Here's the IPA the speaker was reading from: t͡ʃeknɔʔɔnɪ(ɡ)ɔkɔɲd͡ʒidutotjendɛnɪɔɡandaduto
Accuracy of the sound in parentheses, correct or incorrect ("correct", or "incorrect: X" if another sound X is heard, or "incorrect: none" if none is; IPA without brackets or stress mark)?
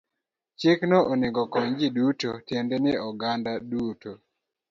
correct